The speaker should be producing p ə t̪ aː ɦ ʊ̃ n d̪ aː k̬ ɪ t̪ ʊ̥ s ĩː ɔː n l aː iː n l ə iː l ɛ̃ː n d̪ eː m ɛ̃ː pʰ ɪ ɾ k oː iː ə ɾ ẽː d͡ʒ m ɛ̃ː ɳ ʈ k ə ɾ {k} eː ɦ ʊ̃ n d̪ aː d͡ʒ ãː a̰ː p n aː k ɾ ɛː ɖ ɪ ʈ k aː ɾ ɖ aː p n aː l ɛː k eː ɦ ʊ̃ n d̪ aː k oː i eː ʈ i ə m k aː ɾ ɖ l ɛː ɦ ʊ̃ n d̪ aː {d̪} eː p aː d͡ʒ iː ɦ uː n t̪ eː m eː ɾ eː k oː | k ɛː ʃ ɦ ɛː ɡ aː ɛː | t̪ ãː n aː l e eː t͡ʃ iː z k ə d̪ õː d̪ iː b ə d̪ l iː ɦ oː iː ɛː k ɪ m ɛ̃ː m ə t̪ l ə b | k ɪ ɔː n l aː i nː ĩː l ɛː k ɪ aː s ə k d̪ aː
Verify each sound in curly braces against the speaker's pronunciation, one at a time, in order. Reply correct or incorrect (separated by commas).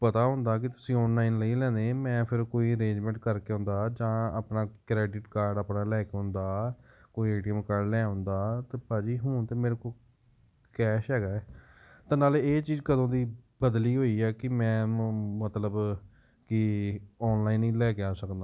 correct, incorrect